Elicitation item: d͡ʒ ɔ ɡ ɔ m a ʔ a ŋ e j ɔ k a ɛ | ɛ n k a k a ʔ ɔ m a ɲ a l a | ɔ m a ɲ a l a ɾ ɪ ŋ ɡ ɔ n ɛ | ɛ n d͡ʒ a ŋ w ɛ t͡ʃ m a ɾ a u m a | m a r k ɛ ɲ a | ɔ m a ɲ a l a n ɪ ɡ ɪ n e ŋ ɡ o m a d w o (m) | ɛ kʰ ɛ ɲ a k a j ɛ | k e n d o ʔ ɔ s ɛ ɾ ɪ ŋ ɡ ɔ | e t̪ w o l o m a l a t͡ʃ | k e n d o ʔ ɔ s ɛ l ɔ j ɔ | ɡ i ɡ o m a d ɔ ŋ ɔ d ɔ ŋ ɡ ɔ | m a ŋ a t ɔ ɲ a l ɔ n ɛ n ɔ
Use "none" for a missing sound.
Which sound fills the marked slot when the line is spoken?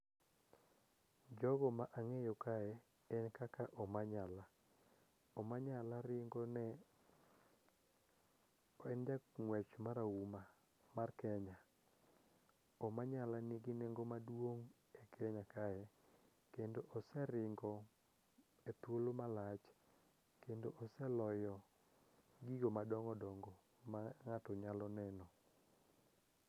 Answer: ŋ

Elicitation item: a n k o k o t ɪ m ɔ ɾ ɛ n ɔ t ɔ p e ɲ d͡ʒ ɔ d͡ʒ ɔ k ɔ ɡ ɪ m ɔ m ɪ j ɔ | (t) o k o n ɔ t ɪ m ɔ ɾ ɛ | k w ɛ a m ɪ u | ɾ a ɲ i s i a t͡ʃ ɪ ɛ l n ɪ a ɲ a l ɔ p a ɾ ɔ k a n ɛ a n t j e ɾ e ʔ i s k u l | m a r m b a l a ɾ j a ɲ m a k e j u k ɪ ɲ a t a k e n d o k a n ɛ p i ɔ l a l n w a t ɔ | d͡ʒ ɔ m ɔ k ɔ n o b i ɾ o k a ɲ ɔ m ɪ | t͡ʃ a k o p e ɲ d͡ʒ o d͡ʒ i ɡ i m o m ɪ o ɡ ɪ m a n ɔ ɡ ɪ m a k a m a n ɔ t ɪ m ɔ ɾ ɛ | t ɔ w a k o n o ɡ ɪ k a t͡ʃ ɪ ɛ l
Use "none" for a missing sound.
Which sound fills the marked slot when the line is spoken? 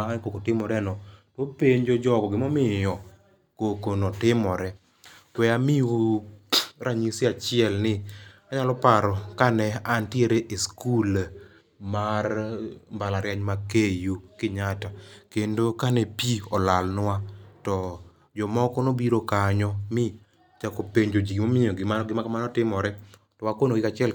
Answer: k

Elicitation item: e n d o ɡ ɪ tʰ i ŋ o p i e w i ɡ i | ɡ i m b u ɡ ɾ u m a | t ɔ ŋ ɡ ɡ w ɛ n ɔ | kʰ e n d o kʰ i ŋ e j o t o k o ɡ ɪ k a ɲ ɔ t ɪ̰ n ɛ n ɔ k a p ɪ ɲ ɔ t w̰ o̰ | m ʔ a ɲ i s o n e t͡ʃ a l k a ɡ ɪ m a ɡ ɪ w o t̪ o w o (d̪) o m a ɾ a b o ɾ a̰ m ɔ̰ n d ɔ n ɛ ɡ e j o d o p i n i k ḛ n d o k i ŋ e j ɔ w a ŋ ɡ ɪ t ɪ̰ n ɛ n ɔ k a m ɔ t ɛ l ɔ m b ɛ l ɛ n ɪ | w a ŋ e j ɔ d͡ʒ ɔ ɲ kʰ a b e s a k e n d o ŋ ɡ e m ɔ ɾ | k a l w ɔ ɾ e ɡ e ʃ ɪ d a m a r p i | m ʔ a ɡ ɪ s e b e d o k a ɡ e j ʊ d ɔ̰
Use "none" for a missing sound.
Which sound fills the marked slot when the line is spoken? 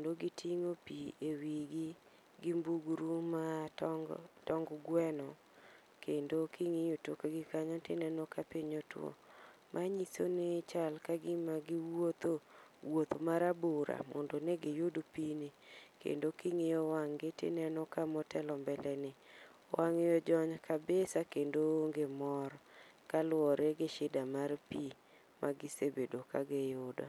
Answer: t̪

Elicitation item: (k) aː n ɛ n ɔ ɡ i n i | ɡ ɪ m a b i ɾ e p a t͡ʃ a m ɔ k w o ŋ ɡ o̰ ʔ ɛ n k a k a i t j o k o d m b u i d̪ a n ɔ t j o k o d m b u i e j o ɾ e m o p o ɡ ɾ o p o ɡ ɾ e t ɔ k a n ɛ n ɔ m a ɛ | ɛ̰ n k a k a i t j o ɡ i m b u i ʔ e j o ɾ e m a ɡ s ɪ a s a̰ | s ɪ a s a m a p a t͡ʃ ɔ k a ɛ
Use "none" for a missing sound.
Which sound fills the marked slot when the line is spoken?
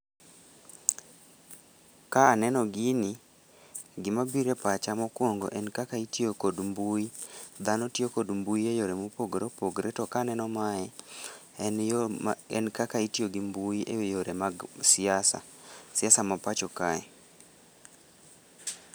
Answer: k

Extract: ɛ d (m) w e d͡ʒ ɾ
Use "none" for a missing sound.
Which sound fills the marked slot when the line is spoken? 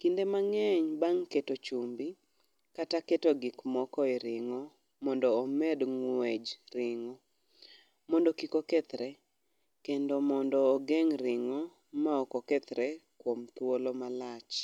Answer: ŋ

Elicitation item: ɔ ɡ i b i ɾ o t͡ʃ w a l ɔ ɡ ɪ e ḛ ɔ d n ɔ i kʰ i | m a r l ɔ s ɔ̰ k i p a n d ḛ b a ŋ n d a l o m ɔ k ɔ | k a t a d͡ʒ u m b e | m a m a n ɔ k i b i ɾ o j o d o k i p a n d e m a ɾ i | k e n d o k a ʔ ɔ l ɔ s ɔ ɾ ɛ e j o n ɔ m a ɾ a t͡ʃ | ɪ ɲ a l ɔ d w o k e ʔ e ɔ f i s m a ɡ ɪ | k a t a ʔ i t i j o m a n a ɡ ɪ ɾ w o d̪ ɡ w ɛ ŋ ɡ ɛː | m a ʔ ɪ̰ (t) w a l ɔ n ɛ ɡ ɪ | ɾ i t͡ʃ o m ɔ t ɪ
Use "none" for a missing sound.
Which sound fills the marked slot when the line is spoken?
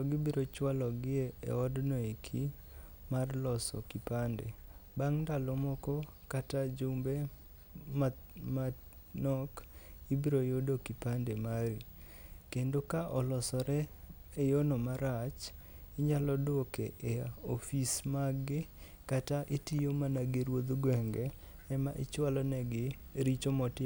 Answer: t͡ʃ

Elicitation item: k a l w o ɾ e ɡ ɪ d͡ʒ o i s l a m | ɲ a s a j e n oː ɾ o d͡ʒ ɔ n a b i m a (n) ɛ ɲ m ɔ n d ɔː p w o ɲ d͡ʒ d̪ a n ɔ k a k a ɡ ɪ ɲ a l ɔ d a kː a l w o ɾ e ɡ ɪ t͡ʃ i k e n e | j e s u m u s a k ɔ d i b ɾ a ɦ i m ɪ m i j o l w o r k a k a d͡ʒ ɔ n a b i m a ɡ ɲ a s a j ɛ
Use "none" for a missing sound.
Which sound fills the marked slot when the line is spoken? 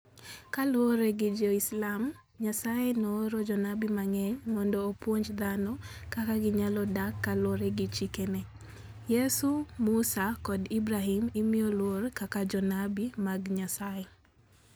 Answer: ŋ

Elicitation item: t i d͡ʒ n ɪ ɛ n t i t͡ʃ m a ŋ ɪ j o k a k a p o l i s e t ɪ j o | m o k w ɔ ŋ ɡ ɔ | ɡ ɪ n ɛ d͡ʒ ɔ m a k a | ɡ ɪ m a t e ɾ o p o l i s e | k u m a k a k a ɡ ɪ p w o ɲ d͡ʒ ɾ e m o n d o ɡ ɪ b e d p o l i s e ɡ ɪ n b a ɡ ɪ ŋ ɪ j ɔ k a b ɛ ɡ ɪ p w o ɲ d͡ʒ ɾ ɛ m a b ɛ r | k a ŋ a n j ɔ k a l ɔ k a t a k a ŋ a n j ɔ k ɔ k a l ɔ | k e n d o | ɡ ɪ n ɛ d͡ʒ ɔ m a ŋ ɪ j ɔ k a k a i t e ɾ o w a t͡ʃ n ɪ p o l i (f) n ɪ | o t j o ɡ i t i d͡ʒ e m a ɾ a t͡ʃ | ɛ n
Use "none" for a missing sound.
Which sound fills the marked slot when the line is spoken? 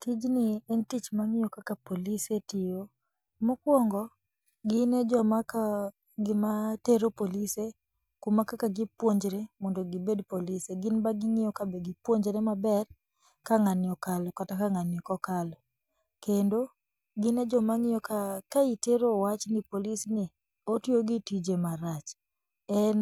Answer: s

